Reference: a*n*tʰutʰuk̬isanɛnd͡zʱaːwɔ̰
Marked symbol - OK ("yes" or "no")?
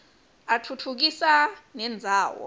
no